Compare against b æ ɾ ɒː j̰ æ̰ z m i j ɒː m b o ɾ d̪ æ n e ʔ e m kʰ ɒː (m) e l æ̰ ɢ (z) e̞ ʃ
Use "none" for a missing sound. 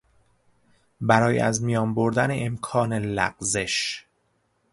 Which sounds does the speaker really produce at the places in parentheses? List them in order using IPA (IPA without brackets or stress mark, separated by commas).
n, z